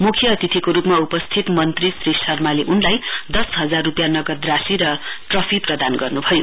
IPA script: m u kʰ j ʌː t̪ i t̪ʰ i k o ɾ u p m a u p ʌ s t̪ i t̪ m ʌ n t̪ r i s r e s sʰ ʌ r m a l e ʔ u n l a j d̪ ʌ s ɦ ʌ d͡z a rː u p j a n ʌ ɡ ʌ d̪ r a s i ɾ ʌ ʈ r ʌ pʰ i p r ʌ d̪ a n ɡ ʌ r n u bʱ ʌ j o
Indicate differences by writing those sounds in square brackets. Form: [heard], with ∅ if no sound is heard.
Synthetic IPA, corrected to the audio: m u kʰ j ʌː t̪ i t̪ʰ i k o ɾ u p m a u p ʌ s [t̪ʰ] i t̪ m ʌ n t̪ r i s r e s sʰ ʌ r m a l e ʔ u n l a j d̪ ʌ s ɦ ʌ d͡z a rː u p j a n ʌ ɡ ʌ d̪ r a s i ɾ ʌ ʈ r ʌ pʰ i p r ʌ d̪ a n ɡ ʌ r n u bʱ ʌ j o

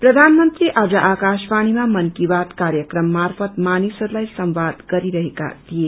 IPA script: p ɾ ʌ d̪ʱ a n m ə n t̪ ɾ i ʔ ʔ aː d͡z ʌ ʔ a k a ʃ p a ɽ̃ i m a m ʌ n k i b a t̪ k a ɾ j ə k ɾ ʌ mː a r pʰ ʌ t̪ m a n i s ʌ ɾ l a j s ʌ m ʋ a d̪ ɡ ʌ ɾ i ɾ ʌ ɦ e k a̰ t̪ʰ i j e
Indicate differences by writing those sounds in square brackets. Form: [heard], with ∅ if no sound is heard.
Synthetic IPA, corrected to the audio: p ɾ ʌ d̪ʱ a n m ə n t̪ ɾ i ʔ ʔ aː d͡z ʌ ʔ a k a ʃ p a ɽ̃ i m a m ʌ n k i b a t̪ k a ɾ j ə k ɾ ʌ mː a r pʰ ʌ t̪ m a n i s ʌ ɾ l a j s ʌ m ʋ a d̪ ɡ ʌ ɾ i ɾ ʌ ɦ e k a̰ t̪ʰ i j e

